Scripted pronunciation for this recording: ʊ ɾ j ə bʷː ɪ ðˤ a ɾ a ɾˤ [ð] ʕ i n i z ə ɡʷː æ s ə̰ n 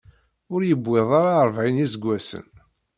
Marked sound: incorrect: v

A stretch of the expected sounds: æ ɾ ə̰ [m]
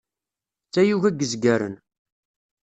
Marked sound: incorrect: n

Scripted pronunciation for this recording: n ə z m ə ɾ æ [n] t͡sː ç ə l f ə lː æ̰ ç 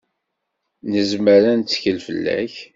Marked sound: correct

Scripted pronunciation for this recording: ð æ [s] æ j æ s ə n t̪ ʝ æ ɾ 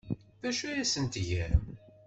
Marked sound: incorrect: ʃ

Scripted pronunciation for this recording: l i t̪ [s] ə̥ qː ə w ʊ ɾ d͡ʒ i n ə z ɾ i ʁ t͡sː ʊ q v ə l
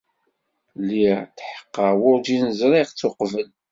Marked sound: incorrect: ħ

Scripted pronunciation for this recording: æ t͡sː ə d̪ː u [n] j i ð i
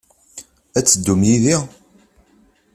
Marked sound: incorrect: m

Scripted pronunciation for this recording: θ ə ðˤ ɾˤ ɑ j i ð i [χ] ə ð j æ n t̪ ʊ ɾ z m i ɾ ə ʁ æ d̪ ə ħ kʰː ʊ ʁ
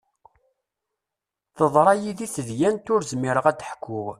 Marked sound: incorrect: θ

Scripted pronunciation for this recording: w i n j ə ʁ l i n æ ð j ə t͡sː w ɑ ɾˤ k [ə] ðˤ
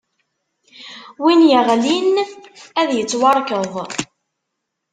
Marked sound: correct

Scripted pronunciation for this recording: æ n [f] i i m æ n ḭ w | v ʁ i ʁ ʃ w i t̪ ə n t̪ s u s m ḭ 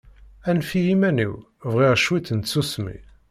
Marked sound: correct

